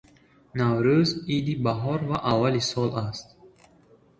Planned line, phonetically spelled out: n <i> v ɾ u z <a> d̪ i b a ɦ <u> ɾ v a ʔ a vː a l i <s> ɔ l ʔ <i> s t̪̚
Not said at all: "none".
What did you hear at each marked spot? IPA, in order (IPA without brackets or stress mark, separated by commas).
a, i, ɔ, s, a